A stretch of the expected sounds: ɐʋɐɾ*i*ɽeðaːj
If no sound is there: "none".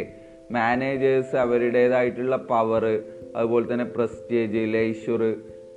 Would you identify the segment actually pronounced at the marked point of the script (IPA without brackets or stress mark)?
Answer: i